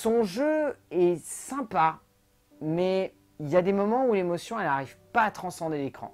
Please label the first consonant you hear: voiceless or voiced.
voiceless